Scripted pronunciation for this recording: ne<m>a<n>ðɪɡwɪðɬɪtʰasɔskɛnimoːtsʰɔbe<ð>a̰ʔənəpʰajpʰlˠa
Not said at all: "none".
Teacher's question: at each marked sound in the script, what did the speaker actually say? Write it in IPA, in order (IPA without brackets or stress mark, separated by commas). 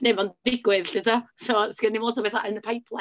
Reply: m, n, θ